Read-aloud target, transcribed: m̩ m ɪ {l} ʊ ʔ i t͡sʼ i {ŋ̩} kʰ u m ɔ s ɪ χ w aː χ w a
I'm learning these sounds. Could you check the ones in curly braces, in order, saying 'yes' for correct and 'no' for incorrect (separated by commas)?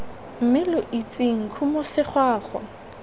yes, yes